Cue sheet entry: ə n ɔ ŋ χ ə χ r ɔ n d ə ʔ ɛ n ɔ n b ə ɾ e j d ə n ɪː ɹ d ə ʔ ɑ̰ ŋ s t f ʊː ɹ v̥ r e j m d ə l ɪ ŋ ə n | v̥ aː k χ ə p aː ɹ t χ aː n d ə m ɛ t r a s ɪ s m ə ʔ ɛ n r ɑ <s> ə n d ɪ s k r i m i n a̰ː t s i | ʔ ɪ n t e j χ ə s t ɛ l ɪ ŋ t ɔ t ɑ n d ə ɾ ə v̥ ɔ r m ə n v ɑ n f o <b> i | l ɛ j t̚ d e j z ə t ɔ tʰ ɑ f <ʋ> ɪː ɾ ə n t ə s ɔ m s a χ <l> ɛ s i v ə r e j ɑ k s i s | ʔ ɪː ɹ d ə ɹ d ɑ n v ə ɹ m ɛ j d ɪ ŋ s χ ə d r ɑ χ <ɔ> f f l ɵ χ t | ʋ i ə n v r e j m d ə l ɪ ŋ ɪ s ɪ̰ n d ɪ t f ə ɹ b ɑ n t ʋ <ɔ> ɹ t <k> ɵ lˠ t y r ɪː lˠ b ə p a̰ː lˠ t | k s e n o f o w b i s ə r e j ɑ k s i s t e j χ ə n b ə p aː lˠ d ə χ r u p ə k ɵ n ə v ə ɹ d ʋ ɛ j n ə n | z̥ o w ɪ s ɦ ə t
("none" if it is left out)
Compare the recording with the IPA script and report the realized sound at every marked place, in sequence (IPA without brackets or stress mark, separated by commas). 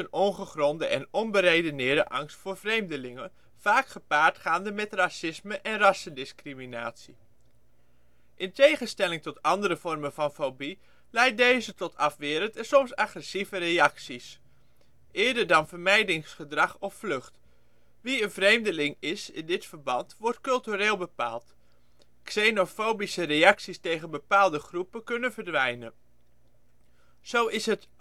s, b, ʋ, r, ɔ, ɔ, k